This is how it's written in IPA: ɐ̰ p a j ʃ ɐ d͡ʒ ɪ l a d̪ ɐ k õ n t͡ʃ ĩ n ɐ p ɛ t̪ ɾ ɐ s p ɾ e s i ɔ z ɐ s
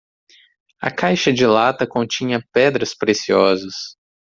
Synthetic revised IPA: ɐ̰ k a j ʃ ɐ d͡ʒ ɪ l a t̪ ɐ k õ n t͡ʃ ĩ ɲ ɐ p ɛ d̪ ɾ ɐ s p ɾ e s i ɔ z ɐ s